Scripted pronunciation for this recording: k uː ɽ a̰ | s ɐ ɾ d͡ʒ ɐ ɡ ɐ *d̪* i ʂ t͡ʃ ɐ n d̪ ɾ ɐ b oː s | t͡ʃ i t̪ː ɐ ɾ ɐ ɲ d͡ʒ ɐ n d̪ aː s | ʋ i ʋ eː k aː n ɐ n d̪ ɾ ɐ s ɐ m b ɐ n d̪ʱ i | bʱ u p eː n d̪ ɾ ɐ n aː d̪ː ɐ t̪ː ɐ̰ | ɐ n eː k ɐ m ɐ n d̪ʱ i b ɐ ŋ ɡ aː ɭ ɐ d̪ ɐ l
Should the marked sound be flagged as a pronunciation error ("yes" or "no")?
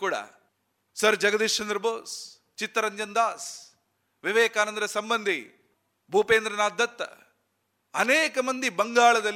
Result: no